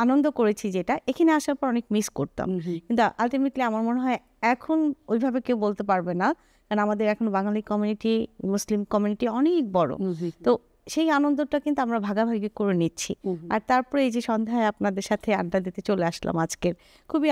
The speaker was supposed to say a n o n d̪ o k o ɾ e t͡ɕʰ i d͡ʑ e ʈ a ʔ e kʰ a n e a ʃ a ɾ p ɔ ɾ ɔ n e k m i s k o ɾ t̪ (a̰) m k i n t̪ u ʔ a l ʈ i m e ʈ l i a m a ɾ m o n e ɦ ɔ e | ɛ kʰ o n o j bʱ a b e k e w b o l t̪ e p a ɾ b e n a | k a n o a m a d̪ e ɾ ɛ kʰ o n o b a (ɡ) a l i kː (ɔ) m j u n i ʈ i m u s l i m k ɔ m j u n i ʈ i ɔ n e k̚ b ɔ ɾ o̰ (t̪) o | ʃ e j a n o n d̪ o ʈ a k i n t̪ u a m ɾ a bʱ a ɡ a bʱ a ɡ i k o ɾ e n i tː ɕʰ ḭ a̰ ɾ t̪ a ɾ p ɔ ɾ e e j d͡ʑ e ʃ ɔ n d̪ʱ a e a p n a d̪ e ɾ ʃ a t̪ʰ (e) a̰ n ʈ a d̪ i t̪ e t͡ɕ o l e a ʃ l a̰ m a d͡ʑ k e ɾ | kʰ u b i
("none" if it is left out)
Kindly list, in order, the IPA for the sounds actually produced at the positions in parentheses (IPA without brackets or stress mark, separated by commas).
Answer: a̰, ŋ, ɔ, t̪, e